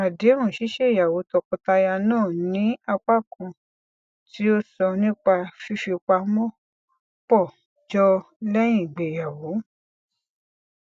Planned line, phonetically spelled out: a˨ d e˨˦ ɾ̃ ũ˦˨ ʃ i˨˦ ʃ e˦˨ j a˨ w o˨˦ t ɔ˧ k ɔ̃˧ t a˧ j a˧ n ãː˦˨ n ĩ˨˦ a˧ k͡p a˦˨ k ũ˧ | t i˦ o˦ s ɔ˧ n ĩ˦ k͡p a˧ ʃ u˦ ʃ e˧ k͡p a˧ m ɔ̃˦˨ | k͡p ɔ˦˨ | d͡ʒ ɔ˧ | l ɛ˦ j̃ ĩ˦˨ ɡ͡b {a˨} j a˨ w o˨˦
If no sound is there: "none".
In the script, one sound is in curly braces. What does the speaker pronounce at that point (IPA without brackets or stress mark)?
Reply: e˨